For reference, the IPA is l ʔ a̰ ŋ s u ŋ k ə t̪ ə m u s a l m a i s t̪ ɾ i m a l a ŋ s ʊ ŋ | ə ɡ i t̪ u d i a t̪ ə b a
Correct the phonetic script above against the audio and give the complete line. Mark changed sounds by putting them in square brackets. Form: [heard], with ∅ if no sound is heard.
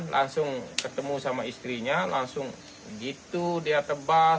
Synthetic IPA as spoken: l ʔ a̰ ŋ s [ʊ] ŋ k ə t̪ ə m u s a [∅] m a i s t̪ ɾ i [ɲ] a l a ŋ s ʊ ŋ | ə ɡ i t̪ u d i a t̪ ə b a

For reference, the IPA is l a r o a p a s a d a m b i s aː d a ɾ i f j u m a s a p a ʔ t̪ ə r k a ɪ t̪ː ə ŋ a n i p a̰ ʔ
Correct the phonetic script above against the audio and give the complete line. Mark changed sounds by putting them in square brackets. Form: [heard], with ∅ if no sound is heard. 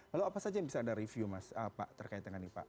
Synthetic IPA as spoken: l a [l] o a p a s a [d͡ʒ] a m b i s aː d a ɾ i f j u m a s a p a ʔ t̪ ə r k a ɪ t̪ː ə ŋ a n i p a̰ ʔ

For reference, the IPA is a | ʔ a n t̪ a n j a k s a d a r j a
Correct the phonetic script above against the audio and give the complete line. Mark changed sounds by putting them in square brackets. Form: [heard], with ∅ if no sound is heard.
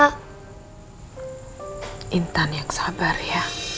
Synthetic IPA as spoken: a | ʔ [i] n t̪ a n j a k s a [b] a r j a

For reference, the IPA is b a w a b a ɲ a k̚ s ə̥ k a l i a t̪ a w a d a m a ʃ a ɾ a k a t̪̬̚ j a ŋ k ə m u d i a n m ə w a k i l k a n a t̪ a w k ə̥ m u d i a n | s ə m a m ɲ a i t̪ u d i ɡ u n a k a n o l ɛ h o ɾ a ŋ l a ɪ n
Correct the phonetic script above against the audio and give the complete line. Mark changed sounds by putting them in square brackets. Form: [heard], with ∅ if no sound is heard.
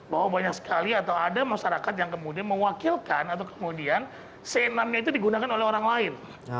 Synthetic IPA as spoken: b a w a b a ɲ a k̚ s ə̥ k a l i a t̪ a w a d a m a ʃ a ɾ a k a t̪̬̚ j a ŋ k ə m u d i a n m ə w a k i l k a n a t̪ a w k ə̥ m u d i a n | s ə [n] a m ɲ a i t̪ u d i ɡ u n a k a n o l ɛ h o ɾ a ŋ l a ɪ n

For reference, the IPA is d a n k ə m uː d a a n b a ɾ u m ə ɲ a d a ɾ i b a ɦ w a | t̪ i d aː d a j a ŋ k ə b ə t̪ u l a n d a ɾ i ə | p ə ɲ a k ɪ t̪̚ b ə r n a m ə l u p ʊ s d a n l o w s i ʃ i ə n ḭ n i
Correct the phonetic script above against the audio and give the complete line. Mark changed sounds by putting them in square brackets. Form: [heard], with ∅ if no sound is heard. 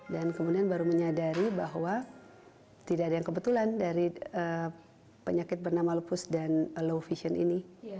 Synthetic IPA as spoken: d a n k ə m [u] d [i] a n b a ɾ u m ə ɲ a d a ɾ i b a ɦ w a | t̪ i d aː d a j a ŋ k ə b ə t̪ u l a n d a ɾ i ə | p ə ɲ a k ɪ t̪̚ b ə r n a m [a] l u p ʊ s d a n l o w [f] i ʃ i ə n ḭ n i

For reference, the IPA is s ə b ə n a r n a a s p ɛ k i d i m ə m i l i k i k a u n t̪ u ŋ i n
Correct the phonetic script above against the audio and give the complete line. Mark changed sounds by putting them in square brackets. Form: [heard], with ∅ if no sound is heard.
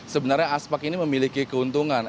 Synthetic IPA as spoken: s ə b ə n a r [ɲ] a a s p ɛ k i [n] i m ə m i l i k i k [ə] u n t̪ u ŋ [a] n

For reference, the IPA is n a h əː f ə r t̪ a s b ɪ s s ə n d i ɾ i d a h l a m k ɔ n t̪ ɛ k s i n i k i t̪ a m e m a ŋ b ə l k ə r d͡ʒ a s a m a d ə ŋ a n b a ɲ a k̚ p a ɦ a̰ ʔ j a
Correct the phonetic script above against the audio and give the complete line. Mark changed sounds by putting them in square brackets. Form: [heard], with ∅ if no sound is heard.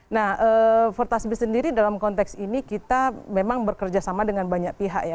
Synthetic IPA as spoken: n a h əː f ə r t̪ a s b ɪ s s ə n d i ɾ i d a [∅] l a m k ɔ n t̪ ɛ k s i n i k i t̪ a m e m a ŋ b ə [r] k ə r d͡ʒ a s a m a d ə ŋ a n b a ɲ a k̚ p [i] ɦ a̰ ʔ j a

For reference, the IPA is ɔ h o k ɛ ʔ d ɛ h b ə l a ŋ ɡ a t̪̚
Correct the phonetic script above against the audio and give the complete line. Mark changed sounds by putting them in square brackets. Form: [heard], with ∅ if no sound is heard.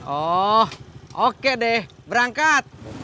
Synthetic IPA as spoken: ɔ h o k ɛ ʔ d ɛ h b ə [ɾ] a ŋ [k] a t̪̚

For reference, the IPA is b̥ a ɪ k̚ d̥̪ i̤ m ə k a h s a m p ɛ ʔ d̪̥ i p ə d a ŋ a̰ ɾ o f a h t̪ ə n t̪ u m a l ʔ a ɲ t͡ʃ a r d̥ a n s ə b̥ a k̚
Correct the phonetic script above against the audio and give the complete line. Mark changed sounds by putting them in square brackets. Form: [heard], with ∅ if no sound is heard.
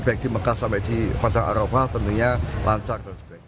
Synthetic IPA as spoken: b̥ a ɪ k̚ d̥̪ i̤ m ə k a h s a m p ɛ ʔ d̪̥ i p [a] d a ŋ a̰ ɾ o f a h t̪ ə n t̪ u [ɲ] a l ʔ a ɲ t͡ʃ a r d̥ a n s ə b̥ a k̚

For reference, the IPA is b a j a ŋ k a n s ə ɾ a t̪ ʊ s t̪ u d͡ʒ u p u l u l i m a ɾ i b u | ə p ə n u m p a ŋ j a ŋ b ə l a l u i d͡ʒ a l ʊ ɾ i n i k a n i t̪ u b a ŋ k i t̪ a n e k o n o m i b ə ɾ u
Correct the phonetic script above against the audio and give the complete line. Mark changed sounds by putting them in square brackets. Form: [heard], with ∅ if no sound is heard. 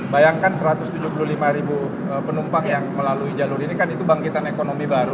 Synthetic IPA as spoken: b a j a ŋ k a n s ə ɾ a t̪ ʊ s t̪ u d͡ʒ u p u l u l i m a ɾ i b u | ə p ə n u m p a ŋ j a ŋ [m] ə l a l u i d͡ʒ a l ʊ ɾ i n i k a n i t̪ u b a ŋ k i t̪ a n e k o n o m i b [a] ɾ u

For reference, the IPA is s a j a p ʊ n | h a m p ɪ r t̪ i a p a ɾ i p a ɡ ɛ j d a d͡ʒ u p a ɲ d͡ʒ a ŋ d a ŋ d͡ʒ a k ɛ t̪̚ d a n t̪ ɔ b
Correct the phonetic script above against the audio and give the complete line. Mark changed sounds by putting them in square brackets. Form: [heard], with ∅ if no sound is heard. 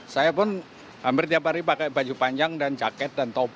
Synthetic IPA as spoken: s a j a p ʊ n | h a m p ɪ r t̪ i a p a ɾ i p a [k] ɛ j [b] a d͡ʒ u p a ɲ d͡ʒ a ŋ d a [n] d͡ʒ a k ɛ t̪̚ d a n t̪ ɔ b

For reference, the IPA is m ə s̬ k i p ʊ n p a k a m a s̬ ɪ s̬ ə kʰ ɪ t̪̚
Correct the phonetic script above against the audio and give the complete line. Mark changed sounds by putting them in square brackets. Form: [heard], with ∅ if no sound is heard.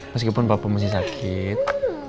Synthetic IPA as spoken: m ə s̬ k i p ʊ n p a [p] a m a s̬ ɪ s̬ [a] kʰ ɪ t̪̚

